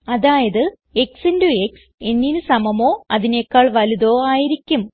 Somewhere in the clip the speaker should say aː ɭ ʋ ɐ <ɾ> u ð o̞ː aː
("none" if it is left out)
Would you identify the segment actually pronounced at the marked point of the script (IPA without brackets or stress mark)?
l